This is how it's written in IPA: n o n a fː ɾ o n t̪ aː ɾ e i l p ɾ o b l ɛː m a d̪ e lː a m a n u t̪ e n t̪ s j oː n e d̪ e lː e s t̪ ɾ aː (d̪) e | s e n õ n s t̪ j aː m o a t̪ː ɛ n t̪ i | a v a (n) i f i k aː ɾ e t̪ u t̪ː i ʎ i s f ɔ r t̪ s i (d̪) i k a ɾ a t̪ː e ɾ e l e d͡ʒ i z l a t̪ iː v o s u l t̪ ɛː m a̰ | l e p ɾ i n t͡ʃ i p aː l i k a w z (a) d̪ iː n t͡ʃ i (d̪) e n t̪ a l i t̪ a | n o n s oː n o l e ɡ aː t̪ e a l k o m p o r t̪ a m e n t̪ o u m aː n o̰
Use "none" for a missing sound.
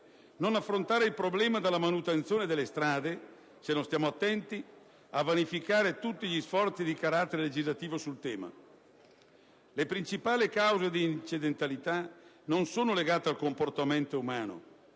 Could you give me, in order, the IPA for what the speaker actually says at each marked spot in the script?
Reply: d̪, n, d̪, e, d̪

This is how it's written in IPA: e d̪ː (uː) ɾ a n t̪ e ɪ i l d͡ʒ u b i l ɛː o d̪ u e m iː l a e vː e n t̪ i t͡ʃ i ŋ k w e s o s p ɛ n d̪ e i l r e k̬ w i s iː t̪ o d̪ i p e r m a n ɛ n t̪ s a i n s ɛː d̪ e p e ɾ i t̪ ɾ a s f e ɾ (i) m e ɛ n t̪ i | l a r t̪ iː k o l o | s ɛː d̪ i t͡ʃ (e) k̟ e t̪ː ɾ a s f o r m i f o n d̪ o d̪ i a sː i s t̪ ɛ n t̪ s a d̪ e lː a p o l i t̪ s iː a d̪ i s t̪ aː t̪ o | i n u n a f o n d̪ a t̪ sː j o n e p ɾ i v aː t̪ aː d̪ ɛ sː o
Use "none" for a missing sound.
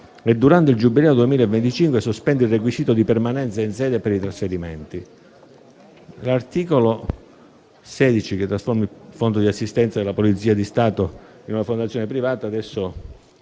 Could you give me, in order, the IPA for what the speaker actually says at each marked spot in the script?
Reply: u, i, i

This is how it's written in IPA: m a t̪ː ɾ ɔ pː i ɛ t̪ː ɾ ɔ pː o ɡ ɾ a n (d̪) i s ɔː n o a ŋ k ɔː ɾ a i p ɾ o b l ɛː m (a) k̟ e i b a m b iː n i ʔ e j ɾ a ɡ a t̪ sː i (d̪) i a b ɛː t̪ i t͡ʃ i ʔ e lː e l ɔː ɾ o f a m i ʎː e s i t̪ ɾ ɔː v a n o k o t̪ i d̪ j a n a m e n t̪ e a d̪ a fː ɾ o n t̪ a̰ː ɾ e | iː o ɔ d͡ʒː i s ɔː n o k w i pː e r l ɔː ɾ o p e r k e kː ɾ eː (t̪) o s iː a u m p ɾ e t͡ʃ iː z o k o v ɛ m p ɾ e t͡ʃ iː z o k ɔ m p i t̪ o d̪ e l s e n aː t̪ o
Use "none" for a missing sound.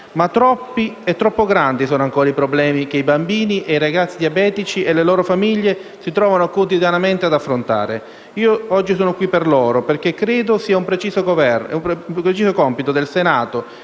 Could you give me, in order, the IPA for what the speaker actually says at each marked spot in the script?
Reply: d̪, i, d̪, d̪

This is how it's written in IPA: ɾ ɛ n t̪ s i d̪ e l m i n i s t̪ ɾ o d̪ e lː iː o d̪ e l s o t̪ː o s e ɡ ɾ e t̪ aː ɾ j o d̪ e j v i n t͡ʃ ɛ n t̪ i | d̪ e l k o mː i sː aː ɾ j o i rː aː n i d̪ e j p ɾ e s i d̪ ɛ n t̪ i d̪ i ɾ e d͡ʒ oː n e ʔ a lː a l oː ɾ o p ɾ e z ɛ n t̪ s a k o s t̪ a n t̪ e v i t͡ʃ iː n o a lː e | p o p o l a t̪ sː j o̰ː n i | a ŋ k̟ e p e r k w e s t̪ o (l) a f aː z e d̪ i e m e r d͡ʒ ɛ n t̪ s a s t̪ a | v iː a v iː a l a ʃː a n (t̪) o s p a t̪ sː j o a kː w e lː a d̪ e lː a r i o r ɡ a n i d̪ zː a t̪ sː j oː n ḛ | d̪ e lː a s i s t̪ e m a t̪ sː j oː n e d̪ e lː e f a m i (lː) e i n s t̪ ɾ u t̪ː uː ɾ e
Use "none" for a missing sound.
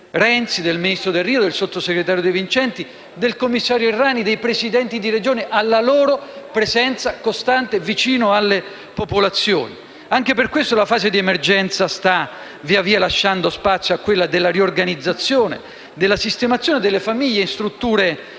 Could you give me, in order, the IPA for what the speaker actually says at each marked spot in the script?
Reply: l, d̪, ʎː

